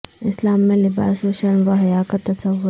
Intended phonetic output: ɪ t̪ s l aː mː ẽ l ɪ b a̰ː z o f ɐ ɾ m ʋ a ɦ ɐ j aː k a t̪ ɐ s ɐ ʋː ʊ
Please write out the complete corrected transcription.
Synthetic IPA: ɪ s l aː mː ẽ l ɪ b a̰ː s o ʃ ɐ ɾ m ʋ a ɦ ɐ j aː k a t̪ ɐ s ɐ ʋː ʊ